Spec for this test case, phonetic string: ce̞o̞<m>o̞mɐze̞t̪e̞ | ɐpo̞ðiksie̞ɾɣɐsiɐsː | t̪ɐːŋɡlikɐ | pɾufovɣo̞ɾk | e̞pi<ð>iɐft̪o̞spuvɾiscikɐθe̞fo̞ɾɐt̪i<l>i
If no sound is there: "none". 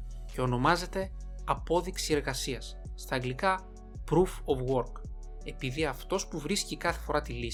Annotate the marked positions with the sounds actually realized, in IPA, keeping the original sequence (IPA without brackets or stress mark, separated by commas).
n, ð, l